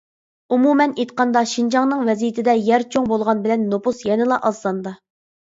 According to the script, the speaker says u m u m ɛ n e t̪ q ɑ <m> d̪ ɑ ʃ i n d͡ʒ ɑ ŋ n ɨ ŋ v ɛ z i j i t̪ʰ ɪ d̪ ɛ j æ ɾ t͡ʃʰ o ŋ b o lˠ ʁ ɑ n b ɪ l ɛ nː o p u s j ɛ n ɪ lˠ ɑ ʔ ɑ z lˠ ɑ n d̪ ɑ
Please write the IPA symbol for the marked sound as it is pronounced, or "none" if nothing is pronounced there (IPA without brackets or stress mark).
n